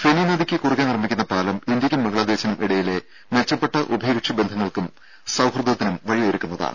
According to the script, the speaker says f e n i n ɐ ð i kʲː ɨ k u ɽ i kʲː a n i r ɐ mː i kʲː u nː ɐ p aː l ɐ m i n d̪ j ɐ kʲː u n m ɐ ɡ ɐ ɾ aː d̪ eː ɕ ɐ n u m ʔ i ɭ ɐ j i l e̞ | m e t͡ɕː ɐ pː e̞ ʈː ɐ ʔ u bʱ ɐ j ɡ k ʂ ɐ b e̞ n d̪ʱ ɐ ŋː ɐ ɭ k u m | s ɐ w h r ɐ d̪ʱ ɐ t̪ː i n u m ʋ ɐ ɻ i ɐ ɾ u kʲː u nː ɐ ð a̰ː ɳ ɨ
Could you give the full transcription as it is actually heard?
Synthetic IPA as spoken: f e n i n ɐ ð i kʲː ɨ k u r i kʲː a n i r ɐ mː i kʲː u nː ɐ p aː l ɐ m i n d̪ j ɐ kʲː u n m ɐ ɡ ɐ ɭ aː d̪ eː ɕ ɐ n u m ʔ i ɽ ɐ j i l e̞ | m e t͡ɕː ɐ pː e̞ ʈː ɐ ʔ u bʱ ɐ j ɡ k ʂ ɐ b e̞ n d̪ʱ ɐ ŋː ɐ ɭ k u m | s ɐ w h r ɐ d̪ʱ ɐ t̪ː i n u m ʋ ɐ ɻ i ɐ ɾ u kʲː u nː ɐ ð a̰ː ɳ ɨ